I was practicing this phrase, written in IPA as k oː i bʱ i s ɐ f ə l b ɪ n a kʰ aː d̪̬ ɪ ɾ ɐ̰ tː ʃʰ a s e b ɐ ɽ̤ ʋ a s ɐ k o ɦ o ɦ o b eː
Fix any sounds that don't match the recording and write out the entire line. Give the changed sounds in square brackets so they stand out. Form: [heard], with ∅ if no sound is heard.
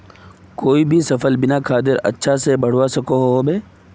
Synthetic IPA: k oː i bʱ i s ɐ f ə l b ɪ n a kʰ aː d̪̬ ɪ ɾ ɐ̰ tː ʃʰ a s e b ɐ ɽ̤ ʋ a s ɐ k o ɦ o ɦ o b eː

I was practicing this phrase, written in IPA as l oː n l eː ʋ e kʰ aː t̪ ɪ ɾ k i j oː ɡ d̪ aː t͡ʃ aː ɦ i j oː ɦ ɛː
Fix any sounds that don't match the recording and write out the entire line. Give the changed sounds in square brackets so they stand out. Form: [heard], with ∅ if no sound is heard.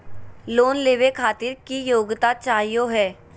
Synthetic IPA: l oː n l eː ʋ e kʰ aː t̪ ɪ ɾ k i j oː ɡ [t̪] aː t͡ʃ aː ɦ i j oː ɦ ɛː

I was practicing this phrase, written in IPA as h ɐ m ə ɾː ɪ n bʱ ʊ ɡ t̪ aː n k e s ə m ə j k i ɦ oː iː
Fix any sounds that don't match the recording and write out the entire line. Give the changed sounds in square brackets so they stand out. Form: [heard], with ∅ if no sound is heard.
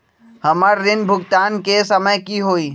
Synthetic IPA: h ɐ m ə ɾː ɪ n bʱ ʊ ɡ t̪ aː n k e s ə m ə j k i ɦ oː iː

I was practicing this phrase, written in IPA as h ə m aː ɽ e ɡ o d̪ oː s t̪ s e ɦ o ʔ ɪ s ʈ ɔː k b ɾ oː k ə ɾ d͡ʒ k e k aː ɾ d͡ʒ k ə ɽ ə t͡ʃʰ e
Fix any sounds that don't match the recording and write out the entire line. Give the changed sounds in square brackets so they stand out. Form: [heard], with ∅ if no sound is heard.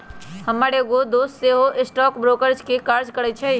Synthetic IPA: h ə m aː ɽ e ɡ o d̪ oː s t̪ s e ɦ o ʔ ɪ s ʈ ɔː k b ɾ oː k ə ɾ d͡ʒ k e k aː ɾ d͡ʒ k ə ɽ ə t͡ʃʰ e

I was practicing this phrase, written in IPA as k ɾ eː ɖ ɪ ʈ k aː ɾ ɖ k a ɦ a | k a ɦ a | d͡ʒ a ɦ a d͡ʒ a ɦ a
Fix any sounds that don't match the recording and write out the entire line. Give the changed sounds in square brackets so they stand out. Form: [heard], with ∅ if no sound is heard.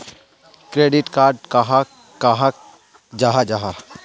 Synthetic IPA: k ɾ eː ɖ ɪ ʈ k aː ɾ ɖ k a ɦ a | k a ɦ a | d͡ʒ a ɦ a d͡ʒ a ɦ a

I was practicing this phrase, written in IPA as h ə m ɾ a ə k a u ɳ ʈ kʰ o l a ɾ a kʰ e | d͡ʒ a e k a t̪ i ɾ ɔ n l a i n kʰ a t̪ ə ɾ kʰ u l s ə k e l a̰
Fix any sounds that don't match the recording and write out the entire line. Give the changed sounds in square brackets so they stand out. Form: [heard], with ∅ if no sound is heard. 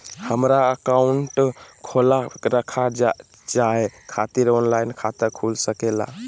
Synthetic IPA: h ə m ɾ a ə k a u ɳ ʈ kʰ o l a ɾ [ə] kʰ [a] | d͡ʒ a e [kʰ] a t̪ i ɾ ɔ n l a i n kʰ a t̪ ə ɾ kʰ u l s ə k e l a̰

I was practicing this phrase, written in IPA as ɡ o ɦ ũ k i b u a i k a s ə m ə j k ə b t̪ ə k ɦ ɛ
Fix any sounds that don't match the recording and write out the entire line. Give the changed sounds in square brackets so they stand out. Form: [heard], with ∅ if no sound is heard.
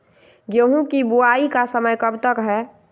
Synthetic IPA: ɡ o ɦ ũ k i b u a i k a s ə m ə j k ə b t̪ ə k ɦ ɛ

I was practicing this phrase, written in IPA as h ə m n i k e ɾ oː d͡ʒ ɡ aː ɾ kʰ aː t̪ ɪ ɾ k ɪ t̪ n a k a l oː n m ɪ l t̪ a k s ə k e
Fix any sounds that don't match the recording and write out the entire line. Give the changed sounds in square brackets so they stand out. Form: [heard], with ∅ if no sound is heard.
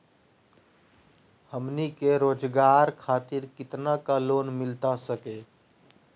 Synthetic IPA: h ə m n i k e ɾ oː d͡ʒ ɡ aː ɾ kʰ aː t̪ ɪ ɾ k ɪ t̪ n a k a l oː n m ɪ l t̪ a [∅] s ə k e

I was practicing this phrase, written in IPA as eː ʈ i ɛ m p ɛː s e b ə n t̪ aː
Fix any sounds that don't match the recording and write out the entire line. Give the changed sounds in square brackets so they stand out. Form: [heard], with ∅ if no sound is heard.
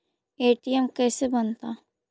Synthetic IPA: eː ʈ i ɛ m [k] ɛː s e b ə n t̪ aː

